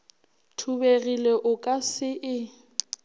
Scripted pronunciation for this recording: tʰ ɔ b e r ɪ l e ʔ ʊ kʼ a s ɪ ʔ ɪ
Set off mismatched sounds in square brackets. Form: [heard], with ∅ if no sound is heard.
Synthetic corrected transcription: tʰ [u] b e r [i] l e ʔ ʊ kʼ a s ɪ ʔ ɪ